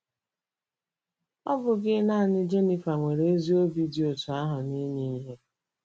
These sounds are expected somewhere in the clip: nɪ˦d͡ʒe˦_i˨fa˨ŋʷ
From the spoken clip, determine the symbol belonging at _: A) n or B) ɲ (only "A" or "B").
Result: A